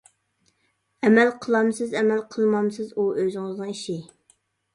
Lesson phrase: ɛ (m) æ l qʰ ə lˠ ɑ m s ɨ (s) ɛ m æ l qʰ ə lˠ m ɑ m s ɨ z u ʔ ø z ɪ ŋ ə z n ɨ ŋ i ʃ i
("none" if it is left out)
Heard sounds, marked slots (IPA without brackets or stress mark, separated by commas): m, z